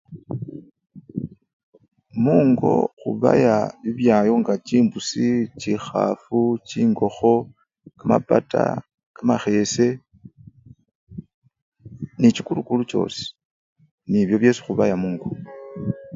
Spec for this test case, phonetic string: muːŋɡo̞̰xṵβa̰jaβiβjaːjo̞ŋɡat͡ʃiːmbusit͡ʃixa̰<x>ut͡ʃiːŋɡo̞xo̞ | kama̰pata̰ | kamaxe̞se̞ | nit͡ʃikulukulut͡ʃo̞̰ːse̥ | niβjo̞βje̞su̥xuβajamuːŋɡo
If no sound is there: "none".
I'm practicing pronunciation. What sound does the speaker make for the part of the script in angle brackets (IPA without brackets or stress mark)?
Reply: f